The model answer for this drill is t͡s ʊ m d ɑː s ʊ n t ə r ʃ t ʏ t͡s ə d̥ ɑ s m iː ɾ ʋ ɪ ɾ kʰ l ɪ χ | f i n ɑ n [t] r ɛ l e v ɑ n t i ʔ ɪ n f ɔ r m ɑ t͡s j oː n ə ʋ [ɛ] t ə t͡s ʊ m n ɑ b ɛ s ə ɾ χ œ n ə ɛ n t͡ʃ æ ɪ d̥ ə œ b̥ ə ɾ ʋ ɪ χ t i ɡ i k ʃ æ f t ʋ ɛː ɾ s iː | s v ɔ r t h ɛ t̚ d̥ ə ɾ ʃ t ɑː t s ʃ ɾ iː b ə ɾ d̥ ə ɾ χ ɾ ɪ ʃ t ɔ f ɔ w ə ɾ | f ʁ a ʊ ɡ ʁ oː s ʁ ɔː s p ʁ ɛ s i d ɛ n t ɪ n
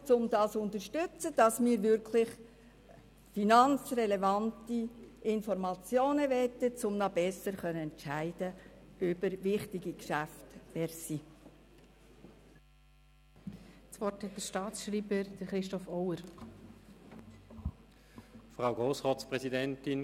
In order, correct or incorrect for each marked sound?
incorrect, correct

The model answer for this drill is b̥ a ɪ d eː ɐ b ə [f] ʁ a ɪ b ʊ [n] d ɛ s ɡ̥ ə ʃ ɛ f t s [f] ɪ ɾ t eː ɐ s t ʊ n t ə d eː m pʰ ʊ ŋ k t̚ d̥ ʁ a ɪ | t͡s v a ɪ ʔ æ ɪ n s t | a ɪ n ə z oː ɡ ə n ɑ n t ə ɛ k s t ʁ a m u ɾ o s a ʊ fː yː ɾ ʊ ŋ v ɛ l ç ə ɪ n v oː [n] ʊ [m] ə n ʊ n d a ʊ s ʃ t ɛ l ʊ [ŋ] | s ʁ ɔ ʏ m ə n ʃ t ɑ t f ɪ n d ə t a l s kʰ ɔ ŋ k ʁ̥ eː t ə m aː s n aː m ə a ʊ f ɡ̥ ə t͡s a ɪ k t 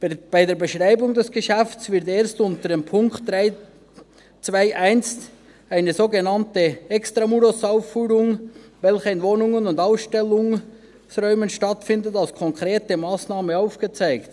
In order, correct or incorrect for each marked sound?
incorrect, incorrect, incorrect, correct, incorrect, correct

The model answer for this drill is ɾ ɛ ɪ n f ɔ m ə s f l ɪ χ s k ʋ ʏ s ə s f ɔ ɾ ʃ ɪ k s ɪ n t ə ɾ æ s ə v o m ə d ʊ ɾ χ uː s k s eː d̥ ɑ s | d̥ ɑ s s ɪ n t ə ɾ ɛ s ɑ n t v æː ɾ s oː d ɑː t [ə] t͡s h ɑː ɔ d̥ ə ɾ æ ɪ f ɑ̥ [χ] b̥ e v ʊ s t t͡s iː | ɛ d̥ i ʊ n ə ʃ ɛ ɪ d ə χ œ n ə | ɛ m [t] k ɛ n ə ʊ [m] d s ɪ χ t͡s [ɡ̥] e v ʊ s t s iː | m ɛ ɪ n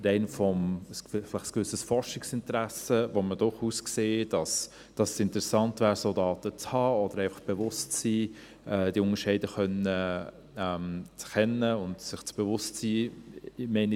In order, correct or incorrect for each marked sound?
correct, correct, incorrect, incorrect, incorrect

